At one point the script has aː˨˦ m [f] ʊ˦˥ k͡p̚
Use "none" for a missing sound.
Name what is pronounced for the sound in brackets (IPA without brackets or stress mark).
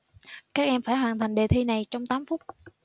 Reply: f